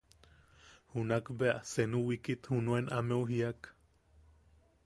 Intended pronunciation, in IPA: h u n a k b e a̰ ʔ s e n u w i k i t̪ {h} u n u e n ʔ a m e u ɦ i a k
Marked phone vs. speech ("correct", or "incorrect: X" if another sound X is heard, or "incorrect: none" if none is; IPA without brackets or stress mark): correct